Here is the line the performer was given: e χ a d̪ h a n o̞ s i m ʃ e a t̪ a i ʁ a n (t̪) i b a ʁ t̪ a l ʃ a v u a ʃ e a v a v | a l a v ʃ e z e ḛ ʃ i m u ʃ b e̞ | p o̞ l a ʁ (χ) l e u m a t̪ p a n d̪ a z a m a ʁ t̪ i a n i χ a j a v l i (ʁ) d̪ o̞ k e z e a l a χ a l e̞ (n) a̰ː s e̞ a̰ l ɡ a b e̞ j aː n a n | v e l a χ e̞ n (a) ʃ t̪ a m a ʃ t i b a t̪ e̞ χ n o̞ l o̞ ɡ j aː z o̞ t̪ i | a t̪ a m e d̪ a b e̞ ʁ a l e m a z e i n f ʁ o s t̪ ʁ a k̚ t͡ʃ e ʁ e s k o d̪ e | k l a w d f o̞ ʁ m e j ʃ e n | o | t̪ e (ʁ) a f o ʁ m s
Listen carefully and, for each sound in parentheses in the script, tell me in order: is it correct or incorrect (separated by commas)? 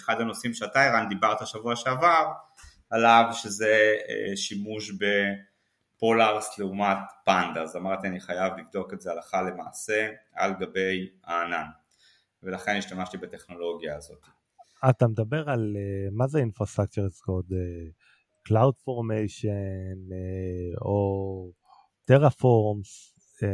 incorrect, incorrect, incorrect, incorrect, incorrect, correct